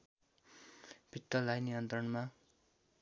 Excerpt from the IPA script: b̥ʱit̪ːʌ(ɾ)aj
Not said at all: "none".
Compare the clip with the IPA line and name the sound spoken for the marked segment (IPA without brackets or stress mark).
l